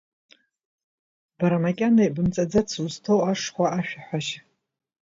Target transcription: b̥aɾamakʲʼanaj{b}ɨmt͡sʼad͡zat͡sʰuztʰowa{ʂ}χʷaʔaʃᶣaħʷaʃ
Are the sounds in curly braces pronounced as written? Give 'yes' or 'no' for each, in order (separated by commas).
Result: yes, yes